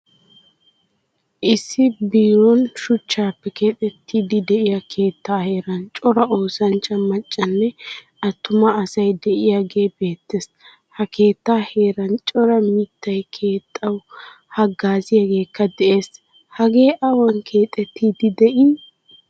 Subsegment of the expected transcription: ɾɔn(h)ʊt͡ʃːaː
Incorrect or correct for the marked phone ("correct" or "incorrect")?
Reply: incorrect